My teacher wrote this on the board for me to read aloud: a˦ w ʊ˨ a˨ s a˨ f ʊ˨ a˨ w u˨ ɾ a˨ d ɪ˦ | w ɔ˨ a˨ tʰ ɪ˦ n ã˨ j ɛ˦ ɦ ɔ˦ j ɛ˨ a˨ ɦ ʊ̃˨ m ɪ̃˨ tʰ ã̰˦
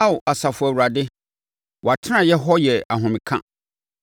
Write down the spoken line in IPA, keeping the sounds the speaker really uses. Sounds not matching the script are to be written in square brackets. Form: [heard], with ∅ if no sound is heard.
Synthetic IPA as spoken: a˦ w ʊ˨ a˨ s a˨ f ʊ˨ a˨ w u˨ ɾ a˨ d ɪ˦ | w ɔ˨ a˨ tʰ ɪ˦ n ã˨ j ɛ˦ ɦ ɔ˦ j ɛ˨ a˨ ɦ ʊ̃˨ m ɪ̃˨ [kʰ] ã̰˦